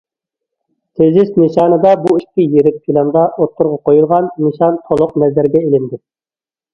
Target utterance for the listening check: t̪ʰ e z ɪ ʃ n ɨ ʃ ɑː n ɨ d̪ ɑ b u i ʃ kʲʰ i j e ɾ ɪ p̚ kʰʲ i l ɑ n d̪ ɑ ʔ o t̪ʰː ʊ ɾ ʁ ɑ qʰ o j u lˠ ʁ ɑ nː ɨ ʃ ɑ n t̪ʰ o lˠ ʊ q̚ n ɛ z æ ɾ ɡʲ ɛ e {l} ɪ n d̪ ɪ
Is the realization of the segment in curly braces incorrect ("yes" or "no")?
no